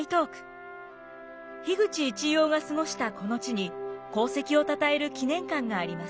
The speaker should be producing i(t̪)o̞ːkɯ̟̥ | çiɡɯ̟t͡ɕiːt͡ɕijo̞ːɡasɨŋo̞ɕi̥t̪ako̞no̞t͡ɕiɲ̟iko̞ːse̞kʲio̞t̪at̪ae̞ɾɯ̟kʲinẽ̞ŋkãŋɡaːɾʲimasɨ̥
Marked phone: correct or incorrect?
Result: correct